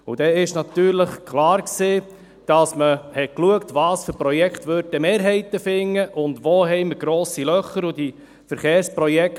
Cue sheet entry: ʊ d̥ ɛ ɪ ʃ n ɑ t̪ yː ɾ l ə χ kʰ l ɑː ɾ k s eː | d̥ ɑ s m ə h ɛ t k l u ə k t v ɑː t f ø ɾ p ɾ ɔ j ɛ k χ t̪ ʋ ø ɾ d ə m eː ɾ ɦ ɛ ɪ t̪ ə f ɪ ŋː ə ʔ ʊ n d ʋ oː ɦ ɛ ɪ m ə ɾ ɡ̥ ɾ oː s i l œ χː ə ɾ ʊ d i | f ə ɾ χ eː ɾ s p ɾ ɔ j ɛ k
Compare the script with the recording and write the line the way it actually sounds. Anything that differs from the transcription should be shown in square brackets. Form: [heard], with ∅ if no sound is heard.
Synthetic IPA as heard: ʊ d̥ ɛ ɪ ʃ n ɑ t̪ yː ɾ l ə χ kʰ l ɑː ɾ k s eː | d̥ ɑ s m ə h ɛ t k l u ə k t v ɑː [s] f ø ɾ p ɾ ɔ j ɛ k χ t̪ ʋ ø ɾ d ə m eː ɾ ɦ ɛ ɪ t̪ ə f ɪ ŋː ə ʔ ʊ n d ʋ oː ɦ ɛ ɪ m ə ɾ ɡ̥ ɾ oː s i l œ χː ə ɾ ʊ d i | f ə ɾ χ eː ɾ s p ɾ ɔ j ɛ k